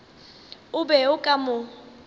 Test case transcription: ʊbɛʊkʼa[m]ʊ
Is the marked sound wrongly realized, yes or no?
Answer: no